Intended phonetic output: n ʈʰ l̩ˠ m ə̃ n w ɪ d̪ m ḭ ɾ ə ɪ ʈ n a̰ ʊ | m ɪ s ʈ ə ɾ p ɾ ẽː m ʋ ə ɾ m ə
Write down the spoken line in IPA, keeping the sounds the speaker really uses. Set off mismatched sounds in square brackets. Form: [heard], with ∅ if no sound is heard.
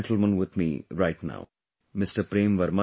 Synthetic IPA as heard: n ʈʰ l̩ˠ m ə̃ n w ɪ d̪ m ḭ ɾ [a] ɪ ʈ n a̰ ʊ | m ɪ s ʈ ə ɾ p ɾ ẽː m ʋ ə ɾ m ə